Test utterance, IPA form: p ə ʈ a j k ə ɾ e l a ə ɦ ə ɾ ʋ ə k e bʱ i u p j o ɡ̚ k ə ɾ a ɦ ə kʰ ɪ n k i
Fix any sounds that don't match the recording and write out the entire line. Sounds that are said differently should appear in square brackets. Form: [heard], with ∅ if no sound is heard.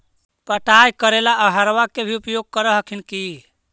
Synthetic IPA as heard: p ə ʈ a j k ə ɾ e l a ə ɦ ə ɾ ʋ [a] k e bʱ i u p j o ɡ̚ k ə ɾ [ə] ɦ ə kʰ [i] n k i